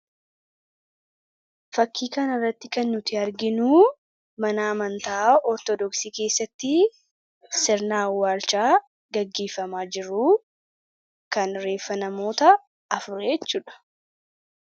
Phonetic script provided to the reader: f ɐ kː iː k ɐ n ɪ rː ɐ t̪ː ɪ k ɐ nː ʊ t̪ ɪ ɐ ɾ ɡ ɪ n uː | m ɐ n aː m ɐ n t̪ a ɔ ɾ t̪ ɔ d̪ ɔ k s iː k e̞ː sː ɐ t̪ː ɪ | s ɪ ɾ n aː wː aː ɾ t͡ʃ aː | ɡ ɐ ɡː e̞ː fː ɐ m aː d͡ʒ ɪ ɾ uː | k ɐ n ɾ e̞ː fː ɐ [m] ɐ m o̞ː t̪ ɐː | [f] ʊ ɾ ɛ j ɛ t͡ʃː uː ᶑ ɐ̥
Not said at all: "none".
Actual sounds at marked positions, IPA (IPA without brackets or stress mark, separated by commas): n, f